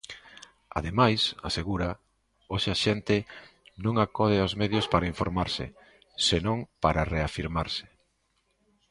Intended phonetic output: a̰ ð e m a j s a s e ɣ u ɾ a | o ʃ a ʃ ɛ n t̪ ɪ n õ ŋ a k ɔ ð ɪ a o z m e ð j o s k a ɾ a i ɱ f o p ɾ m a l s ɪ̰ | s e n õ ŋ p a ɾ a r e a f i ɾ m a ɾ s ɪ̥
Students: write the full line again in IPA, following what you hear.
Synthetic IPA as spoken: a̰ ð e m a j s a s e ɣ u ɾ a | o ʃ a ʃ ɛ n t̪ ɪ n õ ŋ a k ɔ ð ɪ a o z m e ð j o s p a ɾ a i ɱ f o ɾ m a ɾ s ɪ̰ | s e n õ ŋ p a ɾ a r e a f i ɾ m a ɾ s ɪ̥